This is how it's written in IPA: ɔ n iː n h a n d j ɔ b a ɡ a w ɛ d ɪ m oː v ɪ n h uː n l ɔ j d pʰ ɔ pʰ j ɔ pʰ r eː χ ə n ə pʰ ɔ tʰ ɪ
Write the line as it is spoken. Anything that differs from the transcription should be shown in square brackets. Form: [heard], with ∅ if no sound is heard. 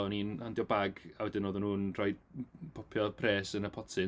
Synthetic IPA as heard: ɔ n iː n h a n d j ɔ b a ɡ a w ɛ d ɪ [n] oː [ð] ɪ n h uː n [r] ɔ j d pʰ ɔ pʰ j ɔ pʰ r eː [s] ə n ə pʰ ɔ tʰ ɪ

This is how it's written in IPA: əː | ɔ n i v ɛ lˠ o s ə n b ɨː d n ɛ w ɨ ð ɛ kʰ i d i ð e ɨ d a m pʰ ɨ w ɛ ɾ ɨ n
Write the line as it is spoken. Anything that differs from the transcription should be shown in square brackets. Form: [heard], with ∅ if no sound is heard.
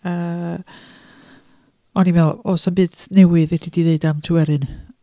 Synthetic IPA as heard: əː | ɔ n i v ɛ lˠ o s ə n b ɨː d n ɛ w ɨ ð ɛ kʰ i d i ð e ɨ d a m [tʰ] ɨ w ɛ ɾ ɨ n

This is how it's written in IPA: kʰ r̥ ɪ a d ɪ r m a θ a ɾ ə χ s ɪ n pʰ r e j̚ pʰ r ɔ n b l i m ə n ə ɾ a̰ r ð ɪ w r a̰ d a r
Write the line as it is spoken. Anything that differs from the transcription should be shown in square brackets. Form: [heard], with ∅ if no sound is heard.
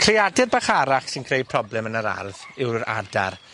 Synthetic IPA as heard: kʰ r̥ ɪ a d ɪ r [b] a [χ] a ɾ [a] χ s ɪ n [kʰ] r e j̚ pʰ r ɔ [∅] b l [ɛ] m ə n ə ɾ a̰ r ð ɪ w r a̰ d a r

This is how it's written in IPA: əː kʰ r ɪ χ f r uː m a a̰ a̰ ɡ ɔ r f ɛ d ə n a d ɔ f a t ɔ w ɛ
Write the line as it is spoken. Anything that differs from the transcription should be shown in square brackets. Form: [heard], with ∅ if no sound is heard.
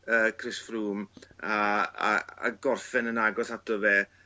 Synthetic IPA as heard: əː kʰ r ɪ [s] f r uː m a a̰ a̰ ɡ ɔ r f ɛ [n] ə n a [ɡ] ɔ [s] a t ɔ [v] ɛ

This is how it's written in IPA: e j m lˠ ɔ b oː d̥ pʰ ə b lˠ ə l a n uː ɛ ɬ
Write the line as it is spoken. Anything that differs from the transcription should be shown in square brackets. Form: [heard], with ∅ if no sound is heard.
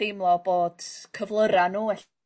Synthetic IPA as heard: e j m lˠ ɔ b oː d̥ [kʰ] ə [v] lˠ ə [ɾ] a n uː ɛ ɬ

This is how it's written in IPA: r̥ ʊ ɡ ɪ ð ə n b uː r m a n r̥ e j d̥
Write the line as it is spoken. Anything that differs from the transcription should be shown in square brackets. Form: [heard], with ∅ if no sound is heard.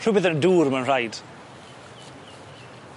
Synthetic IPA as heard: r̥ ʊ [b] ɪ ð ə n [d] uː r m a n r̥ [a] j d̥

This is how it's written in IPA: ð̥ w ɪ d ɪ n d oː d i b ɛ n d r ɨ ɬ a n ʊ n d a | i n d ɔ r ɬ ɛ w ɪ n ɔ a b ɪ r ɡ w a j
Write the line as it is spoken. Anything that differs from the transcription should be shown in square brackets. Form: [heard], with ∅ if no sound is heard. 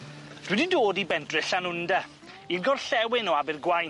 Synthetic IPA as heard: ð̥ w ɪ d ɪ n d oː d i b ɛ n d r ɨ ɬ a n ʊ n d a | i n [ɡ] ɔ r ɬ ɛ w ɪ n ɔ a b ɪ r ɡ w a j

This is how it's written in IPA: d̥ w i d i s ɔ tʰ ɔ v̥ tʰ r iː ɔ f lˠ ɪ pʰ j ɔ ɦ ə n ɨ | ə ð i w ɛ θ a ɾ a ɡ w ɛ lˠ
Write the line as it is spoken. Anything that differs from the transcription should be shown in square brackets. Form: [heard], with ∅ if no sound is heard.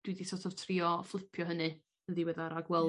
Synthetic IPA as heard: d̥ w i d i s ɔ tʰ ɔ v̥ tʰ r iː ɔ f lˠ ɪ pʰ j ɔ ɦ ə n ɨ | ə ð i w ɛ [ð] a ɾ a ɡ w ɛ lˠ

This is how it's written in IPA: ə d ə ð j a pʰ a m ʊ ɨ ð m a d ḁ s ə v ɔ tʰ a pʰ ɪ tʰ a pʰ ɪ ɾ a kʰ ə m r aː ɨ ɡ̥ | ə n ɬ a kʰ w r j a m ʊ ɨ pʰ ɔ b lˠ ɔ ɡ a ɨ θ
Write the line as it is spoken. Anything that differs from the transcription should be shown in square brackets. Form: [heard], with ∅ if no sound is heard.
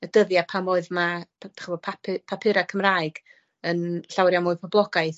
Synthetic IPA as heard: ə d ə ð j a pʰ a m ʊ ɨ ð m a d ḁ [χ] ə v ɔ [pʰ] a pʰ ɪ [pʰ] a pʰ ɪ ɾ a kʰ ə m r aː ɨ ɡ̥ | ə n ɬ a [∅] w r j a m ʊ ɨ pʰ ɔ b lˠ ɔ ɡ a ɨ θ

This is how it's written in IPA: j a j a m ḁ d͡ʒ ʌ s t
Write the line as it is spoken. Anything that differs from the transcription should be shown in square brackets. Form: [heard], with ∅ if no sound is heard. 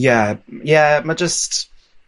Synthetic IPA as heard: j [æ] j [æ] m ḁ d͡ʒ ʌ s t

